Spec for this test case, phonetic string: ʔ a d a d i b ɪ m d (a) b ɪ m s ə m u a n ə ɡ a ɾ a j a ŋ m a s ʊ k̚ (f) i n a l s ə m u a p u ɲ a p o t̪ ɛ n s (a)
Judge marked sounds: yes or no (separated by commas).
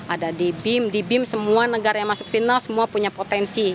no, yes, no